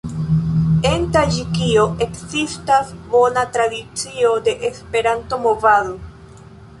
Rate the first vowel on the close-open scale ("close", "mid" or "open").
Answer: mid